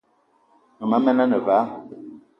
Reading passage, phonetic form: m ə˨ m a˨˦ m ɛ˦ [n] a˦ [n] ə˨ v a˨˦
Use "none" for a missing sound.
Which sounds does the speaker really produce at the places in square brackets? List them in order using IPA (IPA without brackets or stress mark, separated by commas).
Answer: n, n